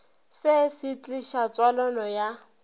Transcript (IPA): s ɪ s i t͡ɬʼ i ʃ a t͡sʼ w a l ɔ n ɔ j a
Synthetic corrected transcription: s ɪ s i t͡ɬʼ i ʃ a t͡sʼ w a l ɔ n ɔ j a